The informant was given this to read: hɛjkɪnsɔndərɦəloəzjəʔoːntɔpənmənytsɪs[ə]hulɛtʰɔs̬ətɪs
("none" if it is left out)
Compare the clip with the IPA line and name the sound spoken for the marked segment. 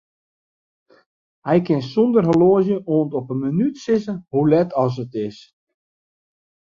ə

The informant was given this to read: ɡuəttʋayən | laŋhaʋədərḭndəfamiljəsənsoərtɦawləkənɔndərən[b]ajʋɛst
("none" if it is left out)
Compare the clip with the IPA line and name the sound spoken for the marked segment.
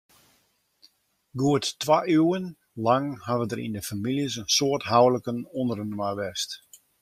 m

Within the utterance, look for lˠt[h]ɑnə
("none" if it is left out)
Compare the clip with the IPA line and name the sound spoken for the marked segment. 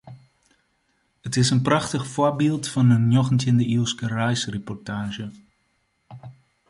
f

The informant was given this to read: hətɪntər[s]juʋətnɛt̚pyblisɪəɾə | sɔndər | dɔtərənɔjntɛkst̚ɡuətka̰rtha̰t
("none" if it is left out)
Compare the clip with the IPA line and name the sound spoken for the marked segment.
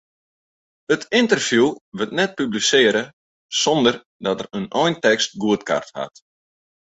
f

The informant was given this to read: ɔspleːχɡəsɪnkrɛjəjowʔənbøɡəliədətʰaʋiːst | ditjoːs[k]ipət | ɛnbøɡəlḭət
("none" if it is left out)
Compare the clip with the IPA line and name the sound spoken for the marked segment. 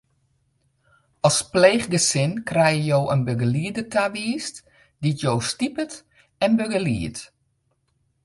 t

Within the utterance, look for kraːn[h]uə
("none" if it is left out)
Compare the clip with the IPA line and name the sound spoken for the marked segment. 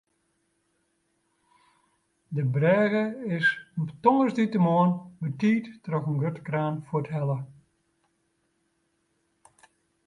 f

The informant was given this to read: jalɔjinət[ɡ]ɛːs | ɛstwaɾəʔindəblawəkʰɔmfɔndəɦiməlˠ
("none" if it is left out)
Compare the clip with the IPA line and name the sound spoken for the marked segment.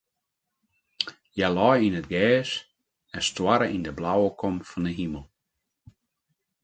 ɡ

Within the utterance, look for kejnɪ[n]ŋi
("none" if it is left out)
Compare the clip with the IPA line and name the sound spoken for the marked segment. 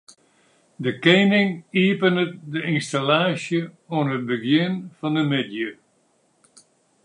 none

